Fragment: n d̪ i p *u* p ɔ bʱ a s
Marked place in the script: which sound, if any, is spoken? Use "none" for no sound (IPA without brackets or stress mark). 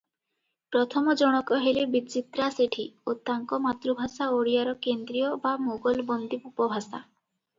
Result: u